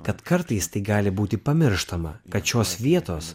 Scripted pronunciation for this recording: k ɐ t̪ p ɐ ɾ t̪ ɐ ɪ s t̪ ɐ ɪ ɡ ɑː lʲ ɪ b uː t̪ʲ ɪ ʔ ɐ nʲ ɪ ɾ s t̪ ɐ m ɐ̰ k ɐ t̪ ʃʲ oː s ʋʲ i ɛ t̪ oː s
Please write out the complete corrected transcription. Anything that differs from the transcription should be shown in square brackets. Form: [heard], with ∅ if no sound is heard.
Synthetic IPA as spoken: k ɐ t̪ [k] ɐ ɾ t̪ ɐ ɪ s t̪ ɐ ɪ ɡ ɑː lʲ ɪ b uː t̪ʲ ɪ [p] ɐ [mʲ] ɪ ɾ [ʃ] t̪ ɐ m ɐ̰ k ɐ t̪ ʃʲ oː s ʋʲ i ɛ t̪ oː s